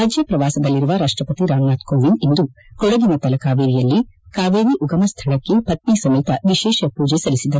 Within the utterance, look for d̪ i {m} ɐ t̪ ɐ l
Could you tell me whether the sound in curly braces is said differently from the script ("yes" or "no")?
yes